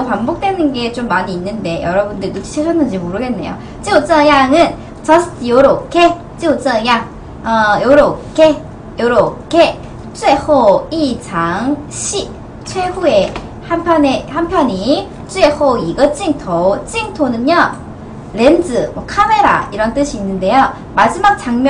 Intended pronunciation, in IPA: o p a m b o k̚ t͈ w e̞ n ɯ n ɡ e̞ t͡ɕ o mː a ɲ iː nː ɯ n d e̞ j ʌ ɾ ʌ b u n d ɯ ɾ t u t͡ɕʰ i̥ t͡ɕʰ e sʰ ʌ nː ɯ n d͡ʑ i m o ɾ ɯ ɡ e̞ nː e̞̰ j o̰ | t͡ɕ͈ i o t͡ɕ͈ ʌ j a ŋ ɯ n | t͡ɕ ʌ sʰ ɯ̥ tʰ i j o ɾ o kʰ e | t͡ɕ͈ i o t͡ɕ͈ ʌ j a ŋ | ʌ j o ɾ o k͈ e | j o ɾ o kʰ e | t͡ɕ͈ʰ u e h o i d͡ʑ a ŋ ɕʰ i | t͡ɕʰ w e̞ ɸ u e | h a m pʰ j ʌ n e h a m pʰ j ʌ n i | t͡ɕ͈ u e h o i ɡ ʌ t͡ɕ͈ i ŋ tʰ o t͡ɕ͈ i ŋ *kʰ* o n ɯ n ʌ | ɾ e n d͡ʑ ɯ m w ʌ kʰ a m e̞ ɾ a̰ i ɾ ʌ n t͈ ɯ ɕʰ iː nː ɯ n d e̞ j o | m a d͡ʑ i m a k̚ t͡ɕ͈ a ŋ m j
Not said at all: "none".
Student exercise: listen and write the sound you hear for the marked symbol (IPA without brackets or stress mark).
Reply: tʰ